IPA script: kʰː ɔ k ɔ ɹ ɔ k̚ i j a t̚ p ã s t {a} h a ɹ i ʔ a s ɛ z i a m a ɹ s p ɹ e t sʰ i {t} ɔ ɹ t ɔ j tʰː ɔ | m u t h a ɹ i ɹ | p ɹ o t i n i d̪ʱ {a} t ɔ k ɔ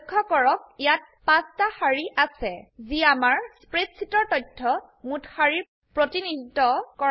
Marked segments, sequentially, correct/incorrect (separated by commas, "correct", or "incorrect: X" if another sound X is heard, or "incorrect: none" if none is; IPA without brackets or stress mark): correct, correct, incorrect: i